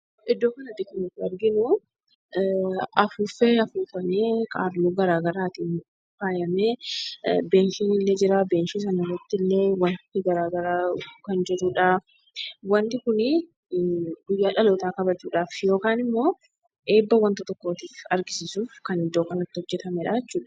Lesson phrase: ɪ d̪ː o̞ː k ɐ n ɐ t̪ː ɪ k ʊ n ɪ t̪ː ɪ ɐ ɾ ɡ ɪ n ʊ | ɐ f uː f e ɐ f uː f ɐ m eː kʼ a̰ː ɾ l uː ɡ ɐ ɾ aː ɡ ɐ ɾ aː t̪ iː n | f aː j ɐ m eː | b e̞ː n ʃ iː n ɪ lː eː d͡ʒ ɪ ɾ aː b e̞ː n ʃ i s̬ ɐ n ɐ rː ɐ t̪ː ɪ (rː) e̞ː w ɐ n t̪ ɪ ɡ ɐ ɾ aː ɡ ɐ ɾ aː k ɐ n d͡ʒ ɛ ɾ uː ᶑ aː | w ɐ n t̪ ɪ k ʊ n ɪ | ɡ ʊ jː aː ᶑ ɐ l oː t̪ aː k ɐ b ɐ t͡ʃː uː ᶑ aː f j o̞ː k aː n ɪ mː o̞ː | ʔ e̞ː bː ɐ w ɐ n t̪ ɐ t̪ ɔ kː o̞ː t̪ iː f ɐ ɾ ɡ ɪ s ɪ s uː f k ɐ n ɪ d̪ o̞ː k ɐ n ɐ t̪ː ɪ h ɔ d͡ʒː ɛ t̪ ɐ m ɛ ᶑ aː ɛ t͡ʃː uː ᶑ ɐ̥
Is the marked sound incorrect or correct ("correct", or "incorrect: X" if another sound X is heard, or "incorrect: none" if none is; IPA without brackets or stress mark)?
incorrect: lː